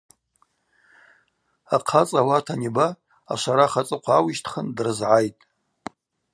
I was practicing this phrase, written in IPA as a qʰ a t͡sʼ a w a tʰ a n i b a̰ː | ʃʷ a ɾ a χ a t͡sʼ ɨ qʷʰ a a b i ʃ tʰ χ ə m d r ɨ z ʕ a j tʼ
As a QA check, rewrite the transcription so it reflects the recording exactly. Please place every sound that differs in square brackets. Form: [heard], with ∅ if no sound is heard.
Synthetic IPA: a qʰ a t͡sʼ a w a tʰ a n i b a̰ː | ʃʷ a ɾ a χ a t͡sʼ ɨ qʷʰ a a [w] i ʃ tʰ χ ə [n] d r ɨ z ʕ a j tʼ

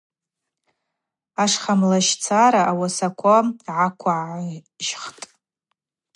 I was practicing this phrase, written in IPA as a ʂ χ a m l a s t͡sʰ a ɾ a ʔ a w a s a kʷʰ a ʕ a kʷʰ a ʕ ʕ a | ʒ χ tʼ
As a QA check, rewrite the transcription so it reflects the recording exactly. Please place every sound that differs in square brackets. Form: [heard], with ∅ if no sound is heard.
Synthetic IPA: a ʂ χ a m l a [ʃ] t͡sʰ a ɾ a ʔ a w a s a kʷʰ a ʕ a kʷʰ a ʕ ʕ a | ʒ χ tʼ

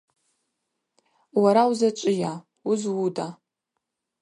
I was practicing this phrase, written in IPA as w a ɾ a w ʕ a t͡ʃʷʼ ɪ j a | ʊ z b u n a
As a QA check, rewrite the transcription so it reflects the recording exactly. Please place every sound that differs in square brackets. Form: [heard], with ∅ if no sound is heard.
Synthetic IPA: w a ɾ a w [z] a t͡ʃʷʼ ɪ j a | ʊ z [w] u [d] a

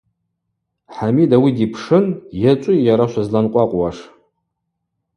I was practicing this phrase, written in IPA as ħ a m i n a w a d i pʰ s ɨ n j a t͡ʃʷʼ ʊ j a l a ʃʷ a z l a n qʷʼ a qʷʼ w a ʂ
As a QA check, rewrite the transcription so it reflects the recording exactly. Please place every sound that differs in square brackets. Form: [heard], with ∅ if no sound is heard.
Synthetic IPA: ħ a m i [d] a w [i] d i pʰ [ʂ] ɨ n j a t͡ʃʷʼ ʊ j a [ɾ] a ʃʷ a z l a n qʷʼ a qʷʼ w a ʂ

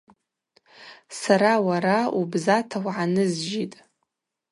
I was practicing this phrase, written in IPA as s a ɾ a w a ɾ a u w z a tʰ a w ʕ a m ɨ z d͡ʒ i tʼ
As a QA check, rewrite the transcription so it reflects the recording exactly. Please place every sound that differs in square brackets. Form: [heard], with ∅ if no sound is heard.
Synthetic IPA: s a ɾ a w a ɾ a u [b] z a tʰ a w ʕ a [n] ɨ z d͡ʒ i tʼ

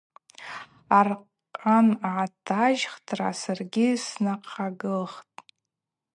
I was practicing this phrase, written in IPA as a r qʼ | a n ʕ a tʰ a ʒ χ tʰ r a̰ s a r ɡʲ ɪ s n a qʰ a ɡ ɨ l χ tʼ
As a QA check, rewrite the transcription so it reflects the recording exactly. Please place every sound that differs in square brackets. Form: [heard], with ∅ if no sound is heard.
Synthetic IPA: a r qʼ | a n ʕ a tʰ a ʒ χ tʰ r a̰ s a r ɡʲ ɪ s n a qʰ a ɡ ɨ l χ tʼ

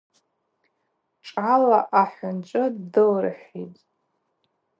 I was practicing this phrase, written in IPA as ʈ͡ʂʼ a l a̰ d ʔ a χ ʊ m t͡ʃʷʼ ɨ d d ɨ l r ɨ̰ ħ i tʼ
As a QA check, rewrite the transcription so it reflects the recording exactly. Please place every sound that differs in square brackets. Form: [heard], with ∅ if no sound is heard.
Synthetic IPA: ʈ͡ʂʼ a l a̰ [∅] ʔ a [ħ] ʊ [n] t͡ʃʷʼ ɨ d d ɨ l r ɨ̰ ħ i tʼ

